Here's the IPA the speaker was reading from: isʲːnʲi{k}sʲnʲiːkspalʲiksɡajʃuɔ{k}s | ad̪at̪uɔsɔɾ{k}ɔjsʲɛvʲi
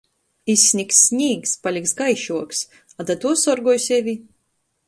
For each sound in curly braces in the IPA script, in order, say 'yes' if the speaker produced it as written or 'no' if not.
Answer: yes, yes, no

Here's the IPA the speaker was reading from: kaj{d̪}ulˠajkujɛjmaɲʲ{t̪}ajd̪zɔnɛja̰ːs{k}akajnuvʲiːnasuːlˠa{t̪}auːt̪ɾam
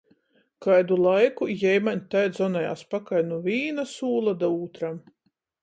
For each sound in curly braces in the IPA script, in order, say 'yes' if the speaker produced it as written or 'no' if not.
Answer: yes, yes, no, no

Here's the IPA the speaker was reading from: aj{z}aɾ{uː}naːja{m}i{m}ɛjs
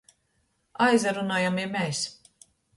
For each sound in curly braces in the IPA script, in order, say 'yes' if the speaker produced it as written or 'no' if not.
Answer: yes, no, yes, yes

